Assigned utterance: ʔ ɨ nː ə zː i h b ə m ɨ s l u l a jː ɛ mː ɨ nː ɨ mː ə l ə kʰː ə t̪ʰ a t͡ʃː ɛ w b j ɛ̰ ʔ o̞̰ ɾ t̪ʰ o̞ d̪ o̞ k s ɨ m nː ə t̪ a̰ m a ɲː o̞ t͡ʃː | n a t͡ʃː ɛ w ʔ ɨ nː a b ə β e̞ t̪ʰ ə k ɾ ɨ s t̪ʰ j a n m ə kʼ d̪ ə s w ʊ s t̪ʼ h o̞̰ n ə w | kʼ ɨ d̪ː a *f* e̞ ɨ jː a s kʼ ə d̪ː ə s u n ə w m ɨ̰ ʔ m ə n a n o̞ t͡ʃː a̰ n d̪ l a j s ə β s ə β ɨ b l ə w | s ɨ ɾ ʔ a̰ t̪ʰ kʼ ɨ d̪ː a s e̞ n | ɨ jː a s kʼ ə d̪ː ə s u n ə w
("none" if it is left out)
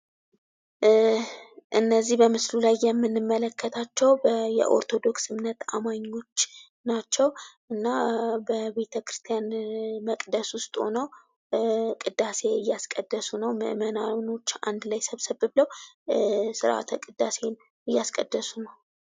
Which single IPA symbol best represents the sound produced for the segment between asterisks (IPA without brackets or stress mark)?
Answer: s